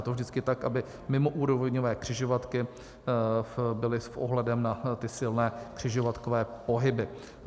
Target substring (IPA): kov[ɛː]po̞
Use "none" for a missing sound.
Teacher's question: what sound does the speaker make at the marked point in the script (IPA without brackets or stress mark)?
ɛː